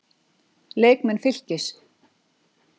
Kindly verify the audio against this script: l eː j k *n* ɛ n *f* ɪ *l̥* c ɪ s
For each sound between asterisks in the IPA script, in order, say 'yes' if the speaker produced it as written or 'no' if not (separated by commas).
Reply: no, yes, yes